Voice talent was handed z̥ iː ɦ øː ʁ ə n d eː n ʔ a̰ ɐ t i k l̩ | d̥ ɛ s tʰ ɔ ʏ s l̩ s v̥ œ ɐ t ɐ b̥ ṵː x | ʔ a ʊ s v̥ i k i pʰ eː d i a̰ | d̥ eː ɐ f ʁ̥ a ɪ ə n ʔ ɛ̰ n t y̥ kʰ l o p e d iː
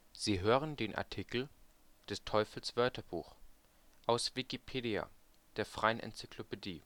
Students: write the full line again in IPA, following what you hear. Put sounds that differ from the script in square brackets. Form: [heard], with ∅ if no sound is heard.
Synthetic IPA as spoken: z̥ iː ɦ øː ʁ ə n d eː n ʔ a̰ ɐ [tʰ] i k l̩ | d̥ ɛ s tʰ ɔ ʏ [f] l̩ s v̥ œ ɐ t ɐ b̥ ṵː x | ʔ a ʊ s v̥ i k i pʰ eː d i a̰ | d̥ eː ɐ f ʁ̥ a ɪ ə n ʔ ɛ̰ n [t͡s] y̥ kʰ l o p e d iː